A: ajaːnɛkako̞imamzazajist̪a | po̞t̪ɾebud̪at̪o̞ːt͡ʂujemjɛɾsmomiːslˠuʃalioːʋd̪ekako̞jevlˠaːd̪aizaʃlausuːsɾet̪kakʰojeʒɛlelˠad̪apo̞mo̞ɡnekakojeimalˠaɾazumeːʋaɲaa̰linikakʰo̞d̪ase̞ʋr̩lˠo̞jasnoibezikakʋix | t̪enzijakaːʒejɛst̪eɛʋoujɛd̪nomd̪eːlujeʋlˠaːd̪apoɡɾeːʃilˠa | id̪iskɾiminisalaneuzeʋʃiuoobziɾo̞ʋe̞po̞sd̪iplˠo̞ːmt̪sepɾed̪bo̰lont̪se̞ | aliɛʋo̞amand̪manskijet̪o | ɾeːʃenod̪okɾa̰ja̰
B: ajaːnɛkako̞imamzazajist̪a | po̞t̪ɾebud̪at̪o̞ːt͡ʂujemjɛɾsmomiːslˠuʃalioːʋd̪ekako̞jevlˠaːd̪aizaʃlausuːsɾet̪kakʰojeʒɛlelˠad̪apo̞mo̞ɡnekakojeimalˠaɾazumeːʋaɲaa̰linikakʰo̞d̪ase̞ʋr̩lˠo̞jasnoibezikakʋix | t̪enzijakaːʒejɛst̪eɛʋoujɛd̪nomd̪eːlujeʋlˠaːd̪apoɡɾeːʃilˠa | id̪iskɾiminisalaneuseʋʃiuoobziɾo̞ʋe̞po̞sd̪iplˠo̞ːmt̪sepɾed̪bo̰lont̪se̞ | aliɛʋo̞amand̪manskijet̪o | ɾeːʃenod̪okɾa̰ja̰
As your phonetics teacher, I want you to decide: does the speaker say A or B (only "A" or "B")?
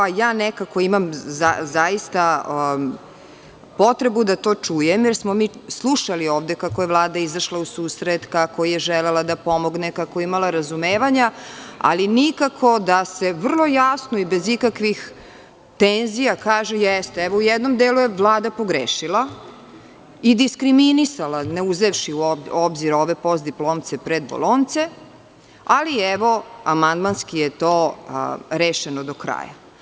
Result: A